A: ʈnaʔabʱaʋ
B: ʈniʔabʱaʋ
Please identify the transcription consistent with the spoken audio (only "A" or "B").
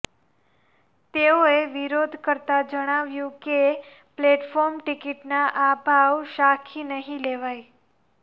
A